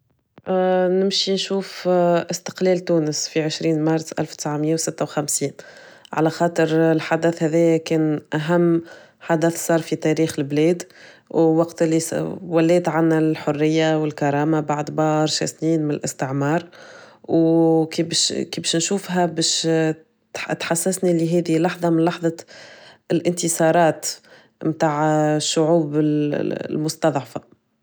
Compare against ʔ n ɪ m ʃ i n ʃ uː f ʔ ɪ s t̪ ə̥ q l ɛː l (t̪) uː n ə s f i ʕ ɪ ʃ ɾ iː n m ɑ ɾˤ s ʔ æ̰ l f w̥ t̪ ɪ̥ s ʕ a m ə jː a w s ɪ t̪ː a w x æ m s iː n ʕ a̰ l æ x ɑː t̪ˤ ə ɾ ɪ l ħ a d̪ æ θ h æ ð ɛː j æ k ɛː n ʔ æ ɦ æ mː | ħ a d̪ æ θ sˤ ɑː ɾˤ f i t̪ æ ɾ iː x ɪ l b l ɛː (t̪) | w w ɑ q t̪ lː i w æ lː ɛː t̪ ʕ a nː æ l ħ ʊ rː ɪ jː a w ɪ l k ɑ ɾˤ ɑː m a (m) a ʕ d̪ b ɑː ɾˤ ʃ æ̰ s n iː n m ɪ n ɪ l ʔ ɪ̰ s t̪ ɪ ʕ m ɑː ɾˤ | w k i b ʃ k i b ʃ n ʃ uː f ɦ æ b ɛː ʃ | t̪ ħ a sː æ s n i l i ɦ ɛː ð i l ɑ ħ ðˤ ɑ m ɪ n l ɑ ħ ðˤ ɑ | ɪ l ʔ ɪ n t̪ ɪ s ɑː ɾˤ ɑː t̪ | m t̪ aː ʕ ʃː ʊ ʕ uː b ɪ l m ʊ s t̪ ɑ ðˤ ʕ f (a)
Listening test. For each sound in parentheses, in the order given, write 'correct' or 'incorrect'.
correct, incorrect: d̪, incorrect: b, correct

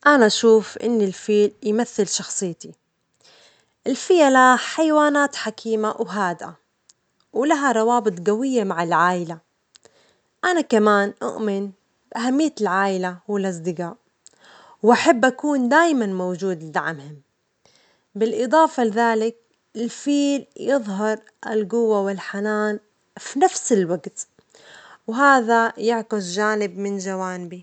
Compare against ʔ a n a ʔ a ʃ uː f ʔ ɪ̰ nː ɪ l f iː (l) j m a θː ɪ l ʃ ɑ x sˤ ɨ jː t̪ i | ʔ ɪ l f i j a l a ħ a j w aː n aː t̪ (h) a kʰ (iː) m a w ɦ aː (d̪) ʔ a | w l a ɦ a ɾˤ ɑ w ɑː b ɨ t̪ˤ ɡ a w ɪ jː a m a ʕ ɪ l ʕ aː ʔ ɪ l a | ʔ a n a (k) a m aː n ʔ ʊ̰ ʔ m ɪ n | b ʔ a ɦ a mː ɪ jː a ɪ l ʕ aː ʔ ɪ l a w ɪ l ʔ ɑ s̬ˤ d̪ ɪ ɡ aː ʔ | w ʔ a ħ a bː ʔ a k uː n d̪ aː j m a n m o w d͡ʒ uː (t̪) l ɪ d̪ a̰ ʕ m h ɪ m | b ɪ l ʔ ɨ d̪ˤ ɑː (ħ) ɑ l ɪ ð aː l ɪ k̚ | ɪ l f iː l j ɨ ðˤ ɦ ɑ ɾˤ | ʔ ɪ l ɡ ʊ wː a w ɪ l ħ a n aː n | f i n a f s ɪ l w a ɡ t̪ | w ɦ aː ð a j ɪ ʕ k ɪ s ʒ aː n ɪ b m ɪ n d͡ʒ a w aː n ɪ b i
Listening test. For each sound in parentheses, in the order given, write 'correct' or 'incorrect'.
correct, incorrect: ħ, correct, correct, correct, incorrect: d̪, incorrect: f

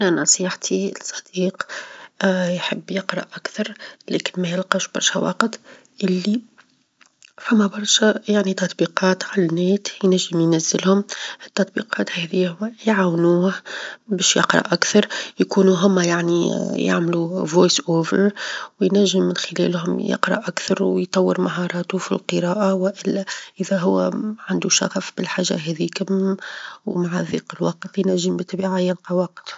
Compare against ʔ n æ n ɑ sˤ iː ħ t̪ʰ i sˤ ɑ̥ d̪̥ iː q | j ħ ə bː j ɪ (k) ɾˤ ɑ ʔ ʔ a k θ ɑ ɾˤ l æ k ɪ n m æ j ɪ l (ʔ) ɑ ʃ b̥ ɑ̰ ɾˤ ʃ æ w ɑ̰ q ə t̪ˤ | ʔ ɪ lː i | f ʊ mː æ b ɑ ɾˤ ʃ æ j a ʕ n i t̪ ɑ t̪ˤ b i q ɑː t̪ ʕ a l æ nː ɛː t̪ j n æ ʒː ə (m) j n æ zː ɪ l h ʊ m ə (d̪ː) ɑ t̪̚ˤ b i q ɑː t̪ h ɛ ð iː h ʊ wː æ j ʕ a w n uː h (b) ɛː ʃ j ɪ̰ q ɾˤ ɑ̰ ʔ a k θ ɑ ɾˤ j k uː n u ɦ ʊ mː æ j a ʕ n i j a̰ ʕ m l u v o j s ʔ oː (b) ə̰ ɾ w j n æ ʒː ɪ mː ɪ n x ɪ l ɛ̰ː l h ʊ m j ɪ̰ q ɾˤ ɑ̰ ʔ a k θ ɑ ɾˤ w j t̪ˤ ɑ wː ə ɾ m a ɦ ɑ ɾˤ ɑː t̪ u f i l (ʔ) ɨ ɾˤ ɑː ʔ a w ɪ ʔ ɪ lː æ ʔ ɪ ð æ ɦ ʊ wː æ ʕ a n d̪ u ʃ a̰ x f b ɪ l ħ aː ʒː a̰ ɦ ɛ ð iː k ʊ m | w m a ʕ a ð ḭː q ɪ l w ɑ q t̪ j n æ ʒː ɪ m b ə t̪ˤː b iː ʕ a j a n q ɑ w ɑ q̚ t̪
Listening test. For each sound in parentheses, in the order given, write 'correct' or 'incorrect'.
incorrect: q, incorrect: q, correct, incorrect: t̪ː, correct, incorrect: v, incorrect: q

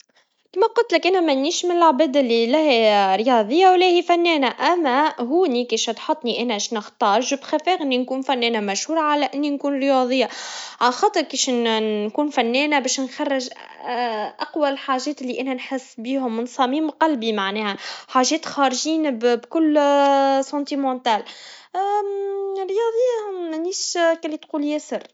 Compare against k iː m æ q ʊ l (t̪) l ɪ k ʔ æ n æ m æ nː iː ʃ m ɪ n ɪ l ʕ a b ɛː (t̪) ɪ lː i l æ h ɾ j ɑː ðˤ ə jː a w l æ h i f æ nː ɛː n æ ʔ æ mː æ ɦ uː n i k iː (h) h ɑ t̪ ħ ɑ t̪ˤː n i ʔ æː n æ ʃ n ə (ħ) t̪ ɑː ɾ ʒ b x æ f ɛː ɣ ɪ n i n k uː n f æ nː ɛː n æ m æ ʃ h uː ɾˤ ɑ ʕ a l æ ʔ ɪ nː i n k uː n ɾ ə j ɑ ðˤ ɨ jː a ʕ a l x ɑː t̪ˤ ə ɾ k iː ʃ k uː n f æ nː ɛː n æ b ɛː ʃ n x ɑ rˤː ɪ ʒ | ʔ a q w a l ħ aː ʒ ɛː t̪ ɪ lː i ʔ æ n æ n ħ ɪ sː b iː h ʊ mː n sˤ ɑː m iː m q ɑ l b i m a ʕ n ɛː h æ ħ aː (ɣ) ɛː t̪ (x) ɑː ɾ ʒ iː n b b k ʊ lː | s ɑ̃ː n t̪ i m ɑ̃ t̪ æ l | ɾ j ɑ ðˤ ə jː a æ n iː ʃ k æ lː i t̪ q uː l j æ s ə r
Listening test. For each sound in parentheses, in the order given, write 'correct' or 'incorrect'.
correct, incorrect: d̪, incorrect: ʃ, incorrect: x, incorrect: ʒ, correct

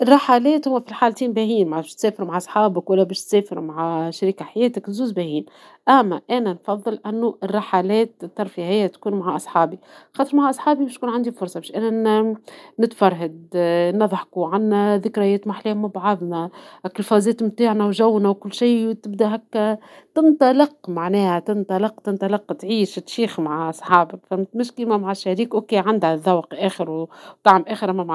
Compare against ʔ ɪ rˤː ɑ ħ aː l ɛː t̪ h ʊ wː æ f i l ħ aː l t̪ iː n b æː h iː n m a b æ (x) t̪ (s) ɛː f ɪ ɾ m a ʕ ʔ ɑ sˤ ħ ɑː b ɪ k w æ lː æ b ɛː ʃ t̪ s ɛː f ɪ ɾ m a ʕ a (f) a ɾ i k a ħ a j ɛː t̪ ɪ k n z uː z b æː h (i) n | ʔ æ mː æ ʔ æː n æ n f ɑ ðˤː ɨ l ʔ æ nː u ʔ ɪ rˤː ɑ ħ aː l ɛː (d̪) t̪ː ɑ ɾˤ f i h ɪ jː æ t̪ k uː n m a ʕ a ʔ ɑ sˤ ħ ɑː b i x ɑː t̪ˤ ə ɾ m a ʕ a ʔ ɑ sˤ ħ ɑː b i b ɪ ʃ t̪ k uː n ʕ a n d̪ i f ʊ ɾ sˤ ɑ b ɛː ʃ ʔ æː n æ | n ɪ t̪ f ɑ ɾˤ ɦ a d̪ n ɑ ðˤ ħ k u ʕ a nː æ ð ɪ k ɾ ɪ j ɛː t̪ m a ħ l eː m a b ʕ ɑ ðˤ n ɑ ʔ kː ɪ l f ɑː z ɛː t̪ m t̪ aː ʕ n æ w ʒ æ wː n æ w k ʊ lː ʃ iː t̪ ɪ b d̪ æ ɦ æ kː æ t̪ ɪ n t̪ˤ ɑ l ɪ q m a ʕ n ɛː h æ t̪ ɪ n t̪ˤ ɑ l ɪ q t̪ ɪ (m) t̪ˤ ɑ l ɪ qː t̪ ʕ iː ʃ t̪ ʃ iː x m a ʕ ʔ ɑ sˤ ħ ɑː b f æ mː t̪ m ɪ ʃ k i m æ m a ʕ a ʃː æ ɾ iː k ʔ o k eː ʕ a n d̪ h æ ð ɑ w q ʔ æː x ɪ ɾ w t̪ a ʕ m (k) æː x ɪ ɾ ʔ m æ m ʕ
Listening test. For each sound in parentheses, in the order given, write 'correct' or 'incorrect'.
incorrect: ʃ, correct, incorrect: ʃ, incorrect: iː, incorrect: t̪, incorrect: n, incorrect: ʔ

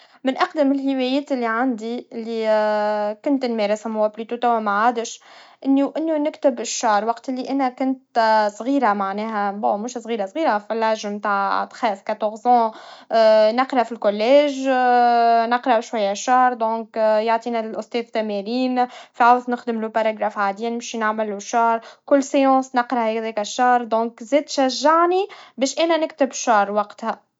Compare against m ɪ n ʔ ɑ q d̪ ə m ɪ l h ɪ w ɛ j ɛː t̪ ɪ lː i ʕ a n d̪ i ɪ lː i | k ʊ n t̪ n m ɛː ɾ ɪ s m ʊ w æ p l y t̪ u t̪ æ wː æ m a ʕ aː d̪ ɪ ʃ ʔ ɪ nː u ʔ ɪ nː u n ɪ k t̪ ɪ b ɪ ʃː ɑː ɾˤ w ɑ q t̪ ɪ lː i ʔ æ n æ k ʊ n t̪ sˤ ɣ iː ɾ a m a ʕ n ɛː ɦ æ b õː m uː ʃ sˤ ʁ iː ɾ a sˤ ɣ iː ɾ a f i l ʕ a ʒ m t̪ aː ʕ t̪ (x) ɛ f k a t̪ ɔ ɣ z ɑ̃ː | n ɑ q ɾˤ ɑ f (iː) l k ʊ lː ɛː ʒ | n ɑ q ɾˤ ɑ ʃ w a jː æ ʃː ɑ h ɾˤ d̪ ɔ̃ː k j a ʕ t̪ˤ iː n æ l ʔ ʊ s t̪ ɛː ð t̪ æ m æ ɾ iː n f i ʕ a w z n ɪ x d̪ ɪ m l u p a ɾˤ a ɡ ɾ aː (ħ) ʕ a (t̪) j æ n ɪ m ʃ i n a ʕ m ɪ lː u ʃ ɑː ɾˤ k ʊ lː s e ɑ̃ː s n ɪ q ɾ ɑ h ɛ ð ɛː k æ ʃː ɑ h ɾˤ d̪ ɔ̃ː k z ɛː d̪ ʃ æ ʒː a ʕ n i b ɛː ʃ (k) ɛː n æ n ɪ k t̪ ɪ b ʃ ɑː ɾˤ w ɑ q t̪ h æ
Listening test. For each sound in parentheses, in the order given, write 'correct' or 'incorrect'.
correct, incorrect: i, incorrect: f, incorrect: d̪, incorrect: ʔ

